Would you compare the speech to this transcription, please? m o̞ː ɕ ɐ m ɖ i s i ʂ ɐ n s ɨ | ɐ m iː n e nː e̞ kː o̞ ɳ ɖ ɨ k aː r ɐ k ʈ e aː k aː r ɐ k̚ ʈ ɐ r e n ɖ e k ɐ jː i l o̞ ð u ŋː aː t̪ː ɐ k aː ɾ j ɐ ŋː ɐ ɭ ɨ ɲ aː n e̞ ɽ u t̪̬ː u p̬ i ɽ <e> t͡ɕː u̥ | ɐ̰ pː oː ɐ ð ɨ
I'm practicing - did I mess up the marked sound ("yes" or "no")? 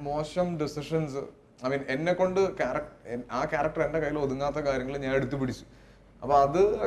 yes